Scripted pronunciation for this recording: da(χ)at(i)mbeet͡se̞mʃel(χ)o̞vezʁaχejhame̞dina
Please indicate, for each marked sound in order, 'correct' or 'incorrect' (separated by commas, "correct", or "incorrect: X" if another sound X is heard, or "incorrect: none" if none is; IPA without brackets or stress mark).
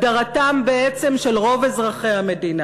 incorrect: ʁ, incorrect: a, incorrect: ʁ